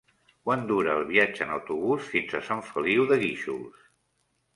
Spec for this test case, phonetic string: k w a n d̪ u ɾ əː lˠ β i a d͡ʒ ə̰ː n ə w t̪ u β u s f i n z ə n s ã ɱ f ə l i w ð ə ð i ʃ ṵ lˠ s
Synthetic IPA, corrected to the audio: k w a n d̪ u ɾ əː lˠ β i a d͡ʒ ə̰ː n ə w t̪ u β u s f i n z ə s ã ɱ f ə l i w ð ə ɣ i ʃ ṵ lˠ s

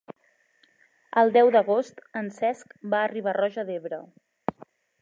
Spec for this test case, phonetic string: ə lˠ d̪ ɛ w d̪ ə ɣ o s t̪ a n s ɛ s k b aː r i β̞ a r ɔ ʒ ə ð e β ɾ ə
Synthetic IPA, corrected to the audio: ə lˠ d̪ ɛ w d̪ ə ɣ o s t̪ ə n s ɛ s k b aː r i β̞ a r ɔ ʒ ə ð e β ɾ ə

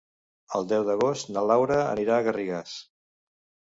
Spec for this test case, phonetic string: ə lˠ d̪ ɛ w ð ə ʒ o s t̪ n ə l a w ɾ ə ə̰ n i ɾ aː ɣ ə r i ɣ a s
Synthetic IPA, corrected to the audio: ə lˠ d̪ ɛ w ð ə ɣ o s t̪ n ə l a w ɾ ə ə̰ n i ɾ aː ɣ ə r i ɣ a s

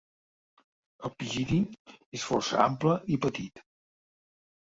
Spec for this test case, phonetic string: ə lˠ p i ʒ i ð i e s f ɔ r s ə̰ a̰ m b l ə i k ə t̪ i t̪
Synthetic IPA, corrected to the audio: ə lˠ p i ʒ i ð i e s f ɔ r s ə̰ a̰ m p l ə i p ə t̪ i t̪

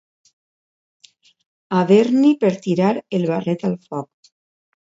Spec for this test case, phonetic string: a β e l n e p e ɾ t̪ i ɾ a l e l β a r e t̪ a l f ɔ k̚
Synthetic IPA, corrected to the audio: a β e ɾ n i p e ɾ t̪ i ɾ a ɾ e l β a r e t̪ a l f ɔ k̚

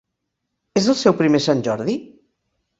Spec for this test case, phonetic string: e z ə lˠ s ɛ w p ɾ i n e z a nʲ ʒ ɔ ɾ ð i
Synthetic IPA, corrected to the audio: e z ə lˠ s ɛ w p ɾ i m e s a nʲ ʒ ɔ ɾ ð i

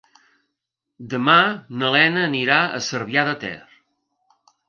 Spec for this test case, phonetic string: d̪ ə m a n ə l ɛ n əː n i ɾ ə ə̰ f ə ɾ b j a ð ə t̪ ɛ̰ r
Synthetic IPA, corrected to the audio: d̪ ə m a n ə l ɛ n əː n i ɾ a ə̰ s ə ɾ β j a ð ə t̪ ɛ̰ r

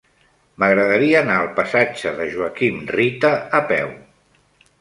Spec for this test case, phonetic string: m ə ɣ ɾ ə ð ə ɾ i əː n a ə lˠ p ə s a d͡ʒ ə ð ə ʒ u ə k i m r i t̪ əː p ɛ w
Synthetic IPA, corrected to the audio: m ə ɣ ɾ ə ð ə ɾ i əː n a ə lˠ p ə s a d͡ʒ ə ð ə ʒ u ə k i m r i t̪ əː p ɛ w

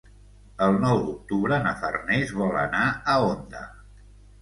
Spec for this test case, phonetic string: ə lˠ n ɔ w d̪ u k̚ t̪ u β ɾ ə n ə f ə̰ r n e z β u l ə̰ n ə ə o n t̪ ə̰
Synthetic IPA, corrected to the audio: ə lˠ n ɔ w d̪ u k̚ t̪ u β ɾ ə n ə f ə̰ r n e z β ɔ l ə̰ n a ə o n d̪ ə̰

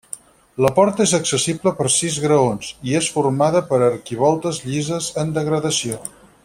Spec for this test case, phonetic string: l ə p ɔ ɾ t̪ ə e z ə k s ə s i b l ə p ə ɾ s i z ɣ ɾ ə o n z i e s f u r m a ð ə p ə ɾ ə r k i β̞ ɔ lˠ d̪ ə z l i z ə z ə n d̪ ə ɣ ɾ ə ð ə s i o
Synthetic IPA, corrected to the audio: l ə p ɔ ɾ t̪ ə e z ə k s ə s i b l ə p ə ɾ s i z ɣ ɾ ə o n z i e s f u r m a ð ə p ə ɾ ə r k i β̞ ɔ lˠ t̪ ə z ʎ i z ə z ə n d̪ ə ɣ ɾ ə ð ə s i o

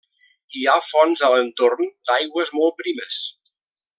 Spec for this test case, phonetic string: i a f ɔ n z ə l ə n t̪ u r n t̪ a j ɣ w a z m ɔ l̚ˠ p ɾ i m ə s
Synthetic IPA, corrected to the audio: i a f ɔ n z ə l ə n t̪ o r n d̪ a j ɣ w ə z m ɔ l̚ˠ p ɾ i m ə s

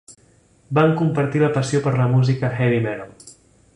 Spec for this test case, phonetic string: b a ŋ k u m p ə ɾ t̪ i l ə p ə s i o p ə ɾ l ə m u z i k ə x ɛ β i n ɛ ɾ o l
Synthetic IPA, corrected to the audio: b a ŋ k u m p ə ɾ t̪ i l ə p ə s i o p ə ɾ l ə m u z i k ə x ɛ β i m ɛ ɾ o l

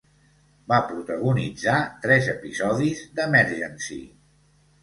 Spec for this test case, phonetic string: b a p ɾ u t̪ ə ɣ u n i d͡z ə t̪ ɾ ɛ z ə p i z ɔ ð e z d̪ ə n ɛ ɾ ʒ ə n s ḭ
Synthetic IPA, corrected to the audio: b a p ɾ u t̪ ə ɣ u n i d͡z a t̪ ɾ ɛ z ə p i z ɔ ð i z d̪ ə m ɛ ɾ ʒ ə n s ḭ

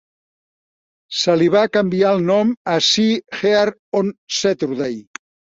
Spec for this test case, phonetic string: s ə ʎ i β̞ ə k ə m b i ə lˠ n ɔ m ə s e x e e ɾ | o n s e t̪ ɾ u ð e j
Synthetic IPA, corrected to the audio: s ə l i β̞ a k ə m b i a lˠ n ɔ m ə s i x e a ɾ | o n s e t̪ ɾ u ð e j

